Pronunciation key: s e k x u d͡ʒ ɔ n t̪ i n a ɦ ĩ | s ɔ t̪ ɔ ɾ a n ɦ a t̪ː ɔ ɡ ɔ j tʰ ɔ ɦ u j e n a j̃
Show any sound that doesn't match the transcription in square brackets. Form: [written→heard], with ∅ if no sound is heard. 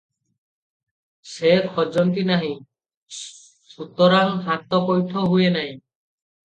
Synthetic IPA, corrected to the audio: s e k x [u→ɔ] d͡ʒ ɔ n t̪ i n a ɦ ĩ | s [ɔ→u] t̪ ɔ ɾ a [n→ŋ] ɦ a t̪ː ɔ [ɡ→k] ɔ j tʰ ɔ ɦ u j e n a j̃